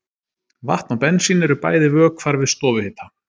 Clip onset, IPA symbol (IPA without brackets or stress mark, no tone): v